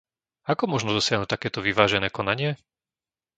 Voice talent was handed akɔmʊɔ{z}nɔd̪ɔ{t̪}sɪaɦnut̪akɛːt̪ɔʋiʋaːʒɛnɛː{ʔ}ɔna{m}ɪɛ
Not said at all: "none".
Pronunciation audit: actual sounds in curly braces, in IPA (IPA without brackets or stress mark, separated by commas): ʒ, none, k, ɲ